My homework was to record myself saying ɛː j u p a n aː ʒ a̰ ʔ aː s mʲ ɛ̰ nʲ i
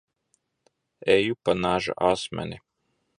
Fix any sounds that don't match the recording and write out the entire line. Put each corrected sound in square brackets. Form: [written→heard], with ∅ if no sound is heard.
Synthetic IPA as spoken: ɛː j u p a n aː ʒ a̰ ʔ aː s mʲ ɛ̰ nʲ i

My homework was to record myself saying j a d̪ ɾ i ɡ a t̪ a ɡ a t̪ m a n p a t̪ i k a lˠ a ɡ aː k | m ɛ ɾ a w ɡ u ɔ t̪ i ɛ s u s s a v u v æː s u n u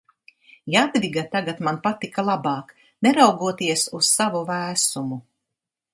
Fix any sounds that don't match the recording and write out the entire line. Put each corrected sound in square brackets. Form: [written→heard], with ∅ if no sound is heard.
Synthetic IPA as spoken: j a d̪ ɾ i ɡ a t̪ a ɡ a t̪ m a n p a t̪ i k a lˠ a [ɡ→b] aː k | [m→n] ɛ ɾ a w ɡ u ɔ t̪ i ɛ s u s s a v u v æː s u [n→m] u

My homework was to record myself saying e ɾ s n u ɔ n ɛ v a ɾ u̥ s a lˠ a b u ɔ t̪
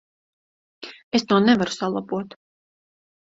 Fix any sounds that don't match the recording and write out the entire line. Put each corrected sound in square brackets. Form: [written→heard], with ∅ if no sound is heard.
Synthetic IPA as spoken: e [ɾ→∅] s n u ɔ n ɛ v a ɾ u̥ s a lˠ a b u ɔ t̪

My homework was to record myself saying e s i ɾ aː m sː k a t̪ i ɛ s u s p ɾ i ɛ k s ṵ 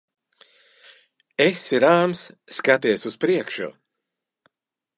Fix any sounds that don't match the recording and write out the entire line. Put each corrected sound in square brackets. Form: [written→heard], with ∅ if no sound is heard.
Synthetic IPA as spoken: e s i ɾ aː m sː k a t̪ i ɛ s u s p ɾ i ɛ k [s→ʃ] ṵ

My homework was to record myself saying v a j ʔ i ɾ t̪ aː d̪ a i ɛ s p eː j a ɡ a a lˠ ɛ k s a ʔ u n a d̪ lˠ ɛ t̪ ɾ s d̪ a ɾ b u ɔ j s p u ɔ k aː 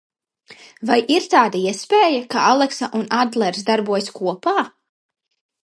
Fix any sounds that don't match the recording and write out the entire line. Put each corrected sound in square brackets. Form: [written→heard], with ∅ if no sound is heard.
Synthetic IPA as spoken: v a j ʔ i ɾ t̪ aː d̪ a i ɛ s p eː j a [ɡ→k] a a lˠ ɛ k s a ʔ u n a d̪ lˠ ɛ [t̪→∅] ɾ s d̪ a ɾ b u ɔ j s [p→k] u ɔ [k→p] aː

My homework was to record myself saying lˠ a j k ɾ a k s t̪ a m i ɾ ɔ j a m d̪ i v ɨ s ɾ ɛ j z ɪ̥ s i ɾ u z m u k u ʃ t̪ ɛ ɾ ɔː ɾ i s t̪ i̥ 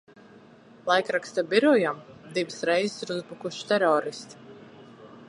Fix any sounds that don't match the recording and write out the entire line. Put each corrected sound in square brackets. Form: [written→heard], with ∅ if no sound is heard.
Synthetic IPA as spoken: lˠ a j k ɾ a k s t̪ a [m→b] i ɾ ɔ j a m d̪ i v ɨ s ɾ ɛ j z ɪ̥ s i ɾ u z [m→b] u k u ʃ t̪ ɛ ɾ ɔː ɾ i s t̪ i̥

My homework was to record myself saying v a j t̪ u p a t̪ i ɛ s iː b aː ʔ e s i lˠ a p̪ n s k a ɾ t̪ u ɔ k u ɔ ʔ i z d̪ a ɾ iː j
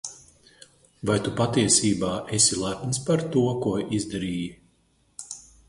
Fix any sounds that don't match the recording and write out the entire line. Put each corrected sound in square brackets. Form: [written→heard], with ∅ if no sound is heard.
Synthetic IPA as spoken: v a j t̪ u p a t̪ i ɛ s iː b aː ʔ e s i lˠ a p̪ n s [k→p] a ɾ t̪ u ɔ k u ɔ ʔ i z d̪ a ɾ iː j

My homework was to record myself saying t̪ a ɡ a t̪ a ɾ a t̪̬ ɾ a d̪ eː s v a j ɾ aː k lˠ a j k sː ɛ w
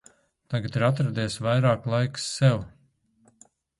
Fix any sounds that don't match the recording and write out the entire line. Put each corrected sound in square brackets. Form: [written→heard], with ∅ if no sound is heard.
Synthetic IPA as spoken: t̪ a ɡ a t̪ [a→i] ɾ a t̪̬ ɾ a d̪ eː s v a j ɾ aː k lˠ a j k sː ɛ w

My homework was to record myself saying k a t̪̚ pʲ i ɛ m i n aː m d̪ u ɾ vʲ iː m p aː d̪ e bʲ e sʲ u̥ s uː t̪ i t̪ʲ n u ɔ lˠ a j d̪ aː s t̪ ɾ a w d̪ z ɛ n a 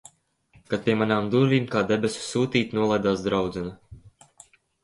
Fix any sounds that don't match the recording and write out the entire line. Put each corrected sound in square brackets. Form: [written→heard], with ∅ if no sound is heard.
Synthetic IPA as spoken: k a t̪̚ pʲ i ɛ m [i→a] n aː m d̪ u ɾ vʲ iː m [p→k] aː d̪ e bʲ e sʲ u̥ s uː t̪ [i→iː] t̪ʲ n u ɔ lˠ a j d̪ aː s [t̪→d̪] ɾ a w d̪ z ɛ n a

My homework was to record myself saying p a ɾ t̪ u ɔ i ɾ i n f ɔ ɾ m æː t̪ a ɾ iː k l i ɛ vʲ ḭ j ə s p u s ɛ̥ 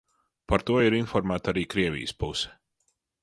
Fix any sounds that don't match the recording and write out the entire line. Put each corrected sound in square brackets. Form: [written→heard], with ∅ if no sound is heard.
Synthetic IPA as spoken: p a ɾ t̪ u ɔ i ɾ i n f ɔ ɾ m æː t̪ a ɾ iː k [l→ɾ] i ɛ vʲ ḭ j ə s p u s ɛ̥

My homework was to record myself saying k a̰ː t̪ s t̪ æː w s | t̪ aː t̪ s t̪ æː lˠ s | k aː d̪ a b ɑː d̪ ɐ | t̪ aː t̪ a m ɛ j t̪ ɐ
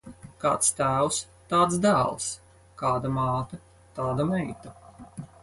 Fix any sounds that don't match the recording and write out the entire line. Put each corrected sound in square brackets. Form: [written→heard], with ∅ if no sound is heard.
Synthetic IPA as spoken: k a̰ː t̪ s t̪ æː w s | t̪ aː t̪ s [t̪→d̪] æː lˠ s | k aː d̪ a [b→m] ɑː [d̪→t̪] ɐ | t̪ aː [t̪→d̪] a m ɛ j t̪ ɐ

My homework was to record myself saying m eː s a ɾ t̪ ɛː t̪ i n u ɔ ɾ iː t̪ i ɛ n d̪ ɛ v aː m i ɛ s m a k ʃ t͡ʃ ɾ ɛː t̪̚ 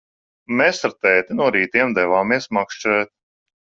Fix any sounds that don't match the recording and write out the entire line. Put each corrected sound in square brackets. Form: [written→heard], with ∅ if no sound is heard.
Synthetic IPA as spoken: m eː s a ɾ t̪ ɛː t̪ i n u ɔ ɾ iː t̪ i ɛ [n→m] d̪ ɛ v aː m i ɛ s m a k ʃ t͡ʃ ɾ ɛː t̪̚

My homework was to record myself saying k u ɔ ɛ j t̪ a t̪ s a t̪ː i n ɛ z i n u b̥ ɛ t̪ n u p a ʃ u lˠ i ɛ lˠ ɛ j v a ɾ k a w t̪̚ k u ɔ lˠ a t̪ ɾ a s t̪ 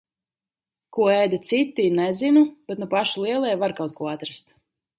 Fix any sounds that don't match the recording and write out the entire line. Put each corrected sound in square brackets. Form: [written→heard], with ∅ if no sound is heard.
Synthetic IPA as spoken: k u ɔ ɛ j [t̪→d̪] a t̪ s [a→i] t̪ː i n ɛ z i n u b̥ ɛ t̪ n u p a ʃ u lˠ i ɛ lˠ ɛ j v a ɾ k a w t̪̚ k u ɔ [lˠ→∅] a t̪ ɾ a s t̪

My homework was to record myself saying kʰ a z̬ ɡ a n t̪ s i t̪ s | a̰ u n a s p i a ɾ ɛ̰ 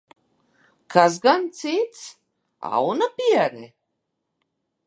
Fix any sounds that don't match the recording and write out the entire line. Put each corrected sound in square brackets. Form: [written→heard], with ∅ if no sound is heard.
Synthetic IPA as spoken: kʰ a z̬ ɡ a n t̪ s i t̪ s | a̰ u n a [s→∅] p i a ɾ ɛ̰

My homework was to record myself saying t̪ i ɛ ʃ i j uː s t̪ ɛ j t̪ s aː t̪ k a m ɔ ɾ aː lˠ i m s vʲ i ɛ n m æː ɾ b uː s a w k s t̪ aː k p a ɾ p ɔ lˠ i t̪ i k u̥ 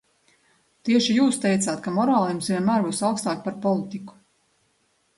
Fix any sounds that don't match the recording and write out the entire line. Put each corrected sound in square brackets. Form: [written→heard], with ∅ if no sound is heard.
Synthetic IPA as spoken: t̪ i ɛ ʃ i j uː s t̪ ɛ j t̪ s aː t̪ k a m ɔ ɾ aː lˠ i m s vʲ i ɛ n m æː ɾ b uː s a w k s t̪ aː k p a ɾ p ɔ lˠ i t̪ i k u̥

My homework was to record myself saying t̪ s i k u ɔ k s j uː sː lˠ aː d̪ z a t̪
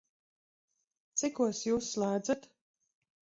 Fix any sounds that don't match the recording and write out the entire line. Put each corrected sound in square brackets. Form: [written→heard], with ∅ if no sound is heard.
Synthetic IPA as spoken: t̪ s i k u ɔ [k→∅] s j uː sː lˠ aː d̪ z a t̪

